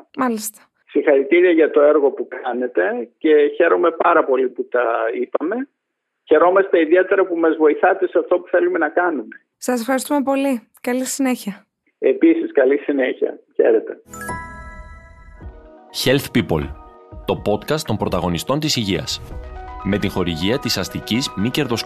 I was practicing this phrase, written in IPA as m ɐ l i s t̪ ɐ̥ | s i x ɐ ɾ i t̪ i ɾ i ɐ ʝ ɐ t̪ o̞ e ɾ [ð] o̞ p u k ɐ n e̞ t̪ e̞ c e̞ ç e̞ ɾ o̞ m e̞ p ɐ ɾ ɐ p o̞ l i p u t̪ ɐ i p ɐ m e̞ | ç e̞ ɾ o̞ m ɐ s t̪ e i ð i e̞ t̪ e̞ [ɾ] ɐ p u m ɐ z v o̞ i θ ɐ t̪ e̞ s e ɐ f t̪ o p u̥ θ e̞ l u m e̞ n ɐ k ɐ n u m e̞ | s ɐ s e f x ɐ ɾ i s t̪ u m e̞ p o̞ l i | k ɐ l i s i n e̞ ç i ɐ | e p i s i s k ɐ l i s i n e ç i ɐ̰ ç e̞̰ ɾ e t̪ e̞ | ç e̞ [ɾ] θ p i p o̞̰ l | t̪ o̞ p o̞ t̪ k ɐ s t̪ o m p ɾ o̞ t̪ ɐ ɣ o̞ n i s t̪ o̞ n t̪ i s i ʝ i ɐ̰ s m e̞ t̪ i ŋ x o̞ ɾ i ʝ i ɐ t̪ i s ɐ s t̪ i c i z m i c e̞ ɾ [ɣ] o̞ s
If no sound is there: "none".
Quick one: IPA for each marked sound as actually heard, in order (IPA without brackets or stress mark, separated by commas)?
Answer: ɣ, ɾ, l, ð